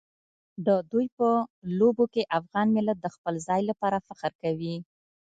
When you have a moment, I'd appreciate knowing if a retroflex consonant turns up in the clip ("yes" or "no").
no